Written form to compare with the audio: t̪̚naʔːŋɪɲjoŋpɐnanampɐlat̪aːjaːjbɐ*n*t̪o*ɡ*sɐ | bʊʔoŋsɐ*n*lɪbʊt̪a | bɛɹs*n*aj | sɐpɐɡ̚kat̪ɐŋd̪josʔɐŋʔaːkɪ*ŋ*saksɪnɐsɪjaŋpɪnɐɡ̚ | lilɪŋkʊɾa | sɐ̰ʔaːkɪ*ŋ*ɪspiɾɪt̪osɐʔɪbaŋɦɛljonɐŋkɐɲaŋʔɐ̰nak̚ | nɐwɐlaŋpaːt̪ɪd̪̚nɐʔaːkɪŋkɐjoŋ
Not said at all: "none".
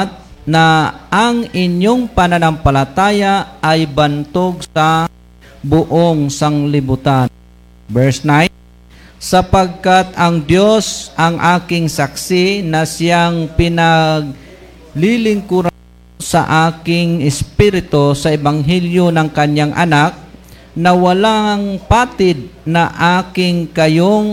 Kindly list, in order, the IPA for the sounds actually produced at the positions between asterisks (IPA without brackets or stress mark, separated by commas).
n, ɡ, ŋ, n, ŋ, ŋ